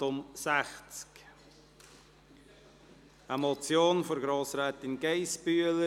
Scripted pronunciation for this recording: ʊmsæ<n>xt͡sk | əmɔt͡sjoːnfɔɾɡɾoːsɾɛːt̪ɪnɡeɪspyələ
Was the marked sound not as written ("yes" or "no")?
yes